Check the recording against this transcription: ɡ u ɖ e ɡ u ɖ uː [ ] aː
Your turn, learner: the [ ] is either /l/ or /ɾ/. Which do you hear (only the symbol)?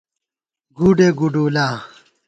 l